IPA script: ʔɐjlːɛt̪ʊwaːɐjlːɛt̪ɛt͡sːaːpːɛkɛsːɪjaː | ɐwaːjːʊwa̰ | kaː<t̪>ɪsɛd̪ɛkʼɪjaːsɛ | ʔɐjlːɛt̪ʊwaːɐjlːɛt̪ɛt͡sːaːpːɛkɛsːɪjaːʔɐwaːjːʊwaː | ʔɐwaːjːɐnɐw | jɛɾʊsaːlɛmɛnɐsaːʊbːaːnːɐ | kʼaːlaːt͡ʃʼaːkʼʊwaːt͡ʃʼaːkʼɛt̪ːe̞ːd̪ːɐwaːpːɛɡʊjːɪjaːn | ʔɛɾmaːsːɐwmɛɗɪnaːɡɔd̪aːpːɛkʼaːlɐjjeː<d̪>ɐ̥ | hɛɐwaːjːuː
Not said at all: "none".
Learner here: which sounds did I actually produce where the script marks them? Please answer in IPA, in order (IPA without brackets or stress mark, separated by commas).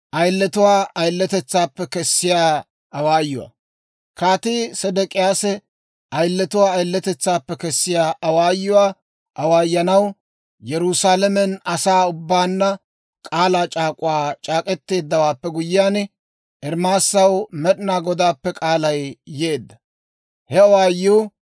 t̪, d̪ː